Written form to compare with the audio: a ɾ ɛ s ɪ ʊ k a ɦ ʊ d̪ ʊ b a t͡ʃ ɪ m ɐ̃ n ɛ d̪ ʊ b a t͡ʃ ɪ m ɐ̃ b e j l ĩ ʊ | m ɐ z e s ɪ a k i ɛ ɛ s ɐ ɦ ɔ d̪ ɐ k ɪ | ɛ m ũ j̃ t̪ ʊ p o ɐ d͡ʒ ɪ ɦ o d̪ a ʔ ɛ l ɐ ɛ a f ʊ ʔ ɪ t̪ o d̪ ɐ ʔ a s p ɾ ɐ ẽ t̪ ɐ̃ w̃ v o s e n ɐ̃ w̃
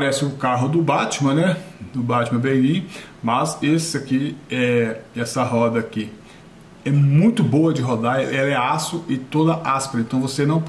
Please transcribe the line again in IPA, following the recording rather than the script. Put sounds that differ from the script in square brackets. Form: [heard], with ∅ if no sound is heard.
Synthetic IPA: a ɾ ɛ s ɪ ʊ k a ɦ ʊ d̪ ʊ b a t͡ʃ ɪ m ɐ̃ n ɛ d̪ ʊ b a t͡ʃ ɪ m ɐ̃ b e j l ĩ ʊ | m ɐ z e s ɪ a k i ɛ ɛ s ɐ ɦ ɔ d̪ ɐ k ɪ | ɛ m ũ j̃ t̪ ʊ [b] o ɐ d͡ʒ ɪ ɦ o d̪ a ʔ ɛ l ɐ ɛ a [s] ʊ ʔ ɪ t̪ o d̪ ɐ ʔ a s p ɾ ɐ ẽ t̪ ɐ̃ w̃ v o s e n ɐ̃ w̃